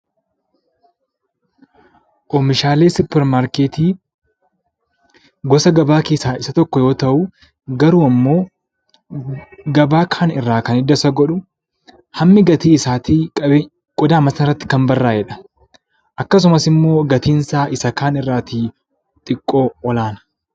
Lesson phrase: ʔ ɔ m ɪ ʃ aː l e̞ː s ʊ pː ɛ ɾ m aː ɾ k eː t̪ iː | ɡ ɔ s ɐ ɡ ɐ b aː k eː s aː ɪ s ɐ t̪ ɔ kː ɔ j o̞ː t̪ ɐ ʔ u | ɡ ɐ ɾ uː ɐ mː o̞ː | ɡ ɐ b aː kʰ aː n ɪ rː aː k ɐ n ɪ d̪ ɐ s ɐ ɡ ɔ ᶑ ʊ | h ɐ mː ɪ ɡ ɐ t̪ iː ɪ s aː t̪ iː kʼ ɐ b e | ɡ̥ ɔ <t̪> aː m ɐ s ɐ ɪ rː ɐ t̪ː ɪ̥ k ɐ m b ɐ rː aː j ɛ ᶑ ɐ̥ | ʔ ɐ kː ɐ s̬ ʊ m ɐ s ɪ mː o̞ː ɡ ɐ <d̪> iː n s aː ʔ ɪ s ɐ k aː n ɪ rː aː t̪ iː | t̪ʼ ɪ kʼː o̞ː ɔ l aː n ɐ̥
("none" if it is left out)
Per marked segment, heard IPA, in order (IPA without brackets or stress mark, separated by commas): d̪, t̪